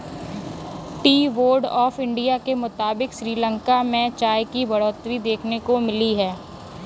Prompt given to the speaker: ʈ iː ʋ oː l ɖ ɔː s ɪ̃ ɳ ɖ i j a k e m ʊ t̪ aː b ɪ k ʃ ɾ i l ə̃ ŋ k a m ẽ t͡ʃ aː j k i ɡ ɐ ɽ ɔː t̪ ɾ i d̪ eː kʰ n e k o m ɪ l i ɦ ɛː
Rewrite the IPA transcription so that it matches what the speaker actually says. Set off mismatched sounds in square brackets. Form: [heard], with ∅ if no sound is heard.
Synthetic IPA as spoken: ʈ iː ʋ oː [ɾ] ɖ ɔː [f] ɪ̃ ɳ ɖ i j a k e m ʊ t̪ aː b ɪ k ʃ ɾ [iː] l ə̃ ŋ k a m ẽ t͡ʃ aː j k i [b] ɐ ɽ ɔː t̪ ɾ i d̪ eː kʰ n e k o m ɪ l i ɦ ɛː